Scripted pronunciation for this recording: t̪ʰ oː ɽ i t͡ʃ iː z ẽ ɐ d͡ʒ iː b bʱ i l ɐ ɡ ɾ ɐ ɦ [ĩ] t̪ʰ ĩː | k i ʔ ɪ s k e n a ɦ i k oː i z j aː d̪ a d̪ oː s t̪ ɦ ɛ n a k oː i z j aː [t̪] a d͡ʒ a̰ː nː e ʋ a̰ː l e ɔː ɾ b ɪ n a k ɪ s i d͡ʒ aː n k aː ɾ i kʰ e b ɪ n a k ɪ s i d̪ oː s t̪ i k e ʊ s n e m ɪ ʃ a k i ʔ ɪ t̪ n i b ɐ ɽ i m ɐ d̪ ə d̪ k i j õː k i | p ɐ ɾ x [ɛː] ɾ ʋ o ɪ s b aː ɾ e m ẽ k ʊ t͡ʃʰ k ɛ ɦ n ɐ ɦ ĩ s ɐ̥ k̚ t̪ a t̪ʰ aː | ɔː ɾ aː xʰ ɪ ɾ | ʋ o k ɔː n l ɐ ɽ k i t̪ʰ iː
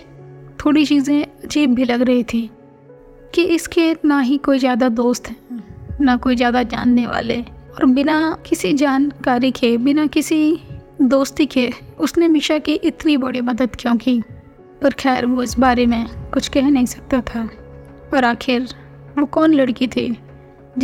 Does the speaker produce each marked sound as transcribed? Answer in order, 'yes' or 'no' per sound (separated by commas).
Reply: no, no, yes